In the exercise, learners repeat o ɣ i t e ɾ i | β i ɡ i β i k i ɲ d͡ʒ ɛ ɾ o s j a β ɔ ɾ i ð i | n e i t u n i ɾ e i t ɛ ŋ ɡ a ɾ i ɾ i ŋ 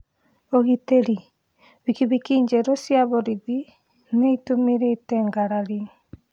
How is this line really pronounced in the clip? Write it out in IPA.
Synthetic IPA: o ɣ i t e ɾ i | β i k i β i k i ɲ d͡ʒ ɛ ɾ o s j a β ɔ ɾ i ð i | n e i t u m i ɾ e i t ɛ ŋ ɡ a ɾ a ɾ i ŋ